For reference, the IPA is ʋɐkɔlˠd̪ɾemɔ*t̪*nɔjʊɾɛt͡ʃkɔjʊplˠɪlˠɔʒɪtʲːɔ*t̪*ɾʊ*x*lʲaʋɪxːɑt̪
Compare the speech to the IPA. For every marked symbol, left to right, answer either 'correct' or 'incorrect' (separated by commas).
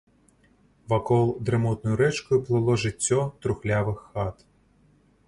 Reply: correct, correct, correct